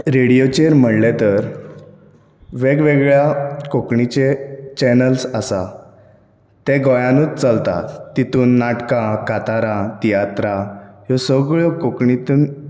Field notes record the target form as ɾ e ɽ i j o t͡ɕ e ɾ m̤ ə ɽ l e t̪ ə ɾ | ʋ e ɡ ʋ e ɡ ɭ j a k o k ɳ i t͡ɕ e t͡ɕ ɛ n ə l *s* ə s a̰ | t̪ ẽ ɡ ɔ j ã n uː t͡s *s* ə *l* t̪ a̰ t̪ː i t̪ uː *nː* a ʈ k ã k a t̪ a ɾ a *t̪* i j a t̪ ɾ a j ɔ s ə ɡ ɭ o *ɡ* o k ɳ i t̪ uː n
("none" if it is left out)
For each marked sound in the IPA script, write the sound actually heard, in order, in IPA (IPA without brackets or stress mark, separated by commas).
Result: s, t͡s, l, nː, t̪, k